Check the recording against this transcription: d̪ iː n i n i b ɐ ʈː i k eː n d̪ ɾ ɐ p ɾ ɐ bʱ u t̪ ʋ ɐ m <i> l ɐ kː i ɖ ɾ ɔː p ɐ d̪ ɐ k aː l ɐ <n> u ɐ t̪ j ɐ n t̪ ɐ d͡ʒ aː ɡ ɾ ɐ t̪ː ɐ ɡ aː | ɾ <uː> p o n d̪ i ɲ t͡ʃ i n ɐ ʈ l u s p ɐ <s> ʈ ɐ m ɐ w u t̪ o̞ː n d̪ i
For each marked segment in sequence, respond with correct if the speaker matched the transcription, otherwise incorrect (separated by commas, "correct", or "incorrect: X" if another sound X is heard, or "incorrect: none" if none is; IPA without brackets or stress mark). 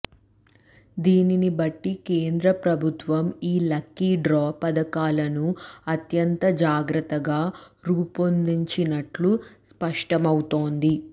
incorrect: iː, correct, correct, incorrect: ʂ